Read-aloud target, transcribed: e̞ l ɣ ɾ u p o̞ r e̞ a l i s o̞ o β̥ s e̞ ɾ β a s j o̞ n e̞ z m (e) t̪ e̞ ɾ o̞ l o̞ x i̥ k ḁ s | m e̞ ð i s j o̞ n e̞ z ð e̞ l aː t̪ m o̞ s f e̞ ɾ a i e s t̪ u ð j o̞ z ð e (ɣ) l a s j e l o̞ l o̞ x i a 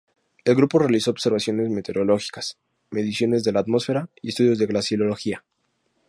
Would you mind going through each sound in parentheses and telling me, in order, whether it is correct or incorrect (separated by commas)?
correct, correct